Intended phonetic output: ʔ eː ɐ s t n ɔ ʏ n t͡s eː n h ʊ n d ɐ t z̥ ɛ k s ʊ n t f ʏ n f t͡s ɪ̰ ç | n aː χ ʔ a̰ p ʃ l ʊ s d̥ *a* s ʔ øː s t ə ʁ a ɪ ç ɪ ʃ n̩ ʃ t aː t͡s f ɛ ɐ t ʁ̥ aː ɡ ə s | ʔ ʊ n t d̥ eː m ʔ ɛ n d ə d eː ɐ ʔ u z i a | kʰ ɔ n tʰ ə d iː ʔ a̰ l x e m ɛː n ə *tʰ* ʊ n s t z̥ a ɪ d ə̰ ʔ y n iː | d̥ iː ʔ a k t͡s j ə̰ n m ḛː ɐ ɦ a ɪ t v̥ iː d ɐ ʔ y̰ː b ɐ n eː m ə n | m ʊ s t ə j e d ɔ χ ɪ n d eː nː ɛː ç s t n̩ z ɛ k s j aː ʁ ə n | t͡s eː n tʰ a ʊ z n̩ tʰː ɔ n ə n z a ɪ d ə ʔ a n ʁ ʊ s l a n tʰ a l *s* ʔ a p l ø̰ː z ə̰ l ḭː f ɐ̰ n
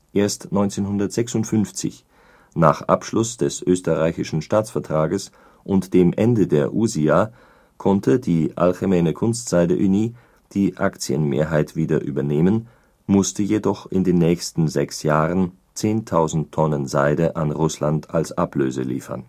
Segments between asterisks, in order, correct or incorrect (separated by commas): incorrect, incorrect, correct